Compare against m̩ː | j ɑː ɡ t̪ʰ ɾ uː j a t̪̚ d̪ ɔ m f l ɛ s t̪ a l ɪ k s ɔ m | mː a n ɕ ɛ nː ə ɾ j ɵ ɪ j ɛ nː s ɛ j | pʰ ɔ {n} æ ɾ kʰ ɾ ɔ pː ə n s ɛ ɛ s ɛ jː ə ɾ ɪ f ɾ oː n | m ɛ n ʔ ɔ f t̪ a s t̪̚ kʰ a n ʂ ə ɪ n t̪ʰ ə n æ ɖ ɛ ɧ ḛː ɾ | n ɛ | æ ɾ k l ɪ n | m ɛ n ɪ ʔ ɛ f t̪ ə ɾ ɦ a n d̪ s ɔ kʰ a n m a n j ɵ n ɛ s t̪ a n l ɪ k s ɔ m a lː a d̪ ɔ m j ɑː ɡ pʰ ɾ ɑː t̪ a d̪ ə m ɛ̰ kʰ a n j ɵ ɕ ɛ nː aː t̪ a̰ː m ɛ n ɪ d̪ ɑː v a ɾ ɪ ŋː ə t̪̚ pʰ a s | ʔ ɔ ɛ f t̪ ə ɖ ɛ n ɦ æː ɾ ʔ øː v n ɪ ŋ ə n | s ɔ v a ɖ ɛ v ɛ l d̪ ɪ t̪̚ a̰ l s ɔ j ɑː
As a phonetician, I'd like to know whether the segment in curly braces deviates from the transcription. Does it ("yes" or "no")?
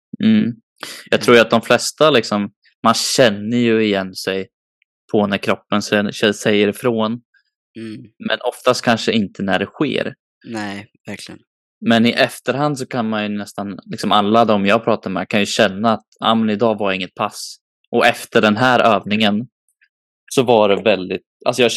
no